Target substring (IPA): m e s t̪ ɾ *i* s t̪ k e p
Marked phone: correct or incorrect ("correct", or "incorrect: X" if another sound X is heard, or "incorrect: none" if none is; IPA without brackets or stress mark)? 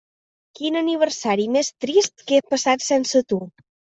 correct